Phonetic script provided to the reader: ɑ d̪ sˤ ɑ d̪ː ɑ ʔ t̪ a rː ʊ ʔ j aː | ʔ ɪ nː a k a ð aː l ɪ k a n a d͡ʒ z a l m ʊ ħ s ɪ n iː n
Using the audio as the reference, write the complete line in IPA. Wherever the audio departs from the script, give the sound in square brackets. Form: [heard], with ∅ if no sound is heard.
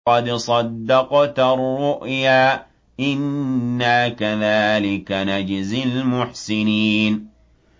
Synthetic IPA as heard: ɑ d̪ sˤ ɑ d̪ː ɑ [q] t̪ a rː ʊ ʔ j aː | ʔ ɪ nː a k a ð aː l ɪ k a n a d͡ʒ z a l m ʊ ħ s ɪ n iː n